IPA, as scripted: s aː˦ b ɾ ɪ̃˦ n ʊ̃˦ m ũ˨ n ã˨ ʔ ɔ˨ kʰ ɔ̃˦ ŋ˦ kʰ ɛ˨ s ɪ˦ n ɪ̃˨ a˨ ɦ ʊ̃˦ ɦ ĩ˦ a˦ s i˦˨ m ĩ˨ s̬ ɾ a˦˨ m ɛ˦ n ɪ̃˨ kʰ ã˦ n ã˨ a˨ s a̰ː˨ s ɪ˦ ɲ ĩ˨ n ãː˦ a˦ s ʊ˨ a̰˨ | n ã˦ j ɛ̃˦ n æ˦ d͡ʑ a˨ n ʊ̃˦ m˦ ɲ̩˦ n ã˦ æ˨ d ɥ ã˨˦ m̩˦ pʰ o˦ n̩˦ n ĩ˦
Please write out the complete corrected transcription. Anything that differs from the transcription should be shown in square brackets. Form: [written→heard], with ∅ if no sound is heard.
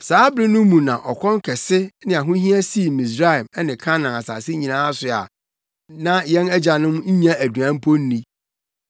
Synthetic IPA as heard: s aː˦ b ɾ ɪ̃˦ n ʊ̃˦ m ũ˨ n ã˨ ʔ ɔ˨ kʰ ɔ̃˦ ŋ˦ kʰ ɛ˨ s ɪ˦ n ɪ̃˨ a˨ ɦ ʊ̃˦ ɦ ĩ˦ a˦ s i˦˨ m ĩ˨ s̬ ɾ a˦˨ m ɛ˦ n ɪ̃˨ kʰ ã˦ n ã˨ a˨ s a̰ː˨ s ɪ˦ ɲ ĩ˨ n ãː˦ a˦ s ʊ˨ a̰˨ | n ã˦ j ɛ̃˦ n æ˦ d͡ʑ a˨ n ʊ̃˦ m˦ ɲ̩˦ [n→ɲ] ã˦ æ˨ d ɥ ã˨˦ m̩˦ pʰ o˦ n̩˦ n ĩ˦